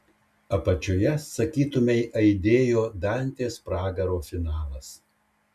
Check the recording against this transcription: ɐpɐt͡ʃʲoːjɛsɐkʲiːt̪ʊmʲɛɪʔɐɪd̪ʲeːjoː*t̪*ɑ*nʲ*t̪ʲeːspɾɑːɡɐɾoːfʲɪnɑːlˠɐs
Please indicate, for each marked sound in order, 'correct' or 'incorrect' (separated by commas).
incorrect, correct